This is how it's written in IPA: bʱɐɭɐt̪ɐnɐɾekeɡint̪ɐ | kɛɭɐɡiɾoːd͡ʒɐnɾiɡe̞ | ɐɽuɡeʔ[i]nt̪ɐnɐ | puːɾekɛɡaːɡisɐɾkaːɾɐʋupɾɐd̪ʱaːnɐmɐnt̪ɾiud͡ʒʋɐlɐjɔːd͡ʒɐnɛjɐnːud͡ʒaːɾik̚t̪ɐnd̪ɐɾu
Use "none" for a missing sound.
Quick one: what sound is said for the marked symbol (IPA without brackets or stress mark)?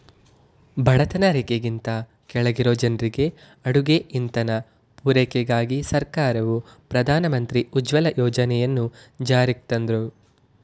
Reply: i